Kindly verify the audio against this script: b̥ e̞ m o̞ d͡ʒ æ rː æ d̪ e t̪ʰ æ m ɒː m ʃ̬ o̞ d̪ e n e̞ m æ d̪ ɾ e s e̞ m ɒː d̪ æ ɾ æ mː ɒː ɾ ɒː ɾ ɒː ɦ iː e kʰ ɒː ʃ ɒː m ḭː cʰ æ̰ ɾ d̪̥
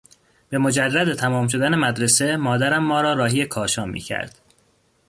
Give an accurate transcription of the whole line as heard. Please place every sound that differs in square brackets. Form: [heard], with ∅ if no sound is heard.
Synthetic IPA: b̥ e̞ m o̞ d͡ʒ æ rː æ d̪ e t̪ʰ æ m ɒː m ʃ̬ o̞ d̪ [æ] n e̞ m æ d̪ ɾ e s e̞ m ɒː d̪ æ ɾ æ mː ɒː ɾ ɒː ɾ ɒː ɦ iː e kʰ ɒː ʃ ɒː m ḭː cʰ æ̰ ɾ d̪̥